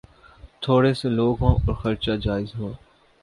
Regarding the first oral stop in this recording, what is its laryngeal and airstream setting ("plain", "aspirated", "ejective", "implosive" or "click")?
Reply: aspirated